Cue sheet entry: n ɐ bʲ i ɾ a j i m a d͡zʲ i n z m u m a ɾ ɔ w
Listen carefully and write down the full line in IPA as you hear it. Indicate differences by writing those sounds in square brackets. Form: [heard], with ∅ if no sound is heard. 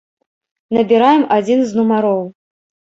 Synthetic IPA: n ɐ bʲ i ɾ a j [ɛ] m a d͡zʲ i n z [n] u m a ɾ ɔ w